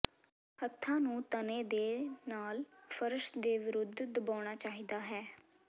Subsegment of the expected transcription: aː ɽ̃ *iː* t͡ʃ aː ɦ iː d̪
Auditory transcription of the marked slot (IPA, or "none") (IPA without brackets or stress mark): aː